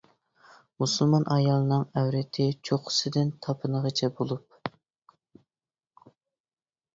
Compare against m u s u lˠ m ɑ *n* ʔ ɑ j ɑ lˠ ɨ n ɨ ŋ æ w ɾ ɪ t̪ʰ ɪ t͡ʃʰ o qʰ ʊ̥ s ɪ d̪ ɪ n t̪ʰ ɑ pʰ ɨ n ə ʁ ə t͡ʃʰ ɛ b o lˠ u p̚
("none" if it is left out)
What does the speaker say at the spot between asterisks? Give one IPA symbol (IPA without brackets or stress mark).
n